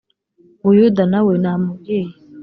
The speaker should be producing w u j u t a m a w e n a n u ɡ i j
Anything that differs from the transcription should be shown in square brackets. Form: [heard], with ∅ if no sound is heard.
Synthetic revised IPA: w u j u [d] a [n] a w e n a [m] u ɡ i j